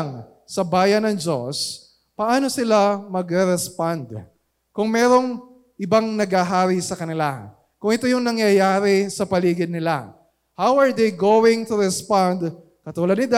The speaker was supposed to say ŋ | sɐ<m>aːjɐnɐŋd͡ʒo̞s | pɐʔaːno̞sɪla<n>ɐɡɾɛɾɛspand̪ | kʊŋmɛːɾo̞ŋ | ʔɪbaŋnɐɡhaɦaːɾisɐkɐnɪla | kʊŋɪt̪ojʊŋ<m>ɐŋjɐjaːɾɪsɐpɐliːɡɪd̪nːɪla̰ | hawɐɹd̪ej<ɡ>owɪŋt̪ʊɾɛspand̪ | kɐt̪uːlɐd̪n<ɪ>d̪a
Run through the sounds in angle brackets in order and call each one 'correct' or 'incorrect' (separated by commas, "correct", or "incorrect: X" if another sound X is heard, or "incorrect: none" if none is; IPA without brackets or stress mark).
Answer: incorrect: b, incorrect: m, incorrect: n, correct, correct